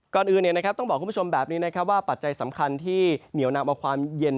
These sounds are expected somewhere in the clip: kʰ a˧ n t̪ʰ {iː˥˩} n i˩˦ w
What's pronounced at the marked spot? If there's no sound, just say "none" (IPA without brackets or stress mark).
iː˥˩